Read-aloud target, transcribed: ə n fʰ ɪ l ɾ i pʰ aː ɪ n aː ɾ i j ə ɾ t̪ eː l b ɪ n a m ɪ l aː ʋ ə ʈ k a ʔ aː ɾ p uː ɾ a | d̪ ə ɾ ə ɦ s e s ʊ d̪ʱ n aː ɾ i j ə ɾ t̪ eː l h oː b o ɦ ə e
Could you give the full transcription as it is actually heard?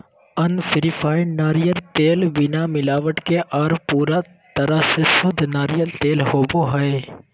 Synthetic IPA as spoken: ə n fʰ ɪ ɾ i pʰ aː ɪ n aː ɾ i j ə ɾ t̪ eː l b ɪ n a m ɪ l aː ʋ ə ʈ k e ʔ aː ɾ p uː ɾ a | t̪ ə ɾ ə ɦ s e s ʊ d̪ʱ n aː ɾ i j ə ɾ t̪ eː l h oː b o ɦ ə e